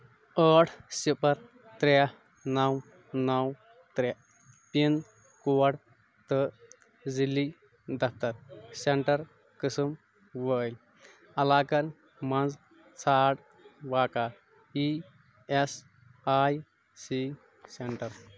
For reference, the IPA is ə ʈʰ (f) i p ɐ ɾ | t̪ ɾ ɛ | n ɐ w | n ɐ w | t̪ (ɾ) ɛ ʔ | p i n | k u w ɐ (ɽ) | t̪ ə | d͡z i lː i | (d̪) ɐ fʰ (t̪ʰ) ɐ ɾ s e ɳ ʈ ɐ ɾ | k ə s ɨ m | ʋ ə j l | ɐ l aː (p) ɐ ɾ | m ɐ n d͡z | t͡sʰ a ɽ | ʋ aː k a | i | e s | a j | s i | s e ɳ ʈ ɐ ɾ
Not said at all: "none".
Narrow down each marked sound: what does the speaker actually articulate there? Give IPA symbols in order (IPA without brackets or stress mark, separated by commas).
s, ɾ, ɽ, d̪, t̪, k